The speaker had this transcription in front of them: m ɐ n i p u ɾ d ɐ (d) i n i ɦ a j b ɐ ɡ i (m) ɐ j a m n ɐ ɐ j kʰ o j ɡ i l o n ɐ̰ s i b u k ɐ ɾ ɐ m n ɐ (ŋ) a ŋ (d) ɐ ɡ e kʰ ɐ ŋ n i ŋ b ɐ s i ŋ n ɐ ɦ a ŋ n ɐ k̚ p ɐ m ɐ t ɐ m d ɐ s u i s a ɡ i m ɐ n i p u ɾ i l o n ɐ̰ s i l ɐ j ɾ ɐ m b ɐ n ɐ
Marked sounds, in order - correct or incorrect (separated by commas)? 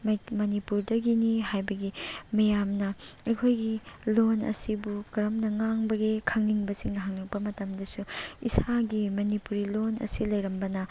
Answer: incorrect, correct, correct, incorrect